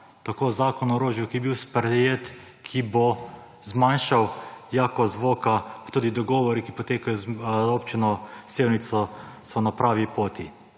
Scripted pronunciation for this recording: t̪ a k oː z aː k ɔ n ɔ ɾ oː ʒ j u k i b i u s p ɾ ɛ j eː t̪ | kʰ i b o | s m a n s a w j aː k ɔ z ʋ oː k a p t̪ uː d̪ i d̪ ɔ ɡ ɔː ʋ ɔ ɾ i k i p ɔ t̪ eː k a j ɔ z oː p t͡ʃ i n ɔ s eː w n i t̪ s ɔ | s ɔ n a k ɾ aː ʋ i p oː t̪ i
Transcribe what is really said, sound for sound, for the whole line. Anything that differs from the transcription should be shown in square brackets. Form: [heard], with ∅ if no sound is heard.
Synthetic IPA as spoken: t̪ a k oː z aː k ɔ n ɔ ɾ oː ʒ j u k i b i [w] s p ɾ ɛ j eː t̪ | kʰ i b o | [z] m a n [ʃ] a w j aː k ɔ z ʋ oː k a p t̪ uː d̪ i d̪ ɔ ɡ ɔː ʋ ɔ ɾ i k i p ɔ t̪ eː k a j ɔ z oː p t͡ʃ i n ɔ s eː w n i t̪ s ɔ | s ɔ n a [p] ɾ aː ʋ i p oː t̪ i